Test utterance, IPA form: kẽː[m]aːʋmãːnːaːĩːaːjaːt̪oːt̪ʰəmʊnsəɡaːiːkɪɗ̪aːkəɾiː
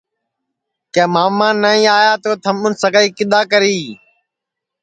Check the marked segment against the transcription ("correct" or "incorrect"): correct